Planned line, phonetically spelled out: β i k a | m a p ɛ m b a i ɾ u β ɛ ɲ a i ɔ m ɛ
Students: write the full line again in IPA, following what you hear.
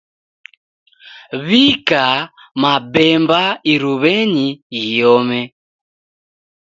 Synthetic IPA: β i k a | m a b ɛ m b a i ɾ u β ɛ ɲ i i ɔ m ɛ